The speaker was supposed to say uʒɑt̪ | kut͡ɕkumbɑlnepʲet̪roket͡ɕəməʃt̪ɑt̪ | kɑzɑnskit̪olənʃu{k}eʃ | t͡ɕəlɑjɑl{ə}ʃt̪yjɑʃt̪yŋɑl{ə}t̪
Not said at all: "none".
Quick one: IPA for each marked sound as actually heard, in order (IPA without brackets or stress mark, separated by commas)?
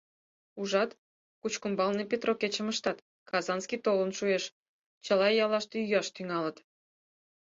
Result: none, ɑ, ə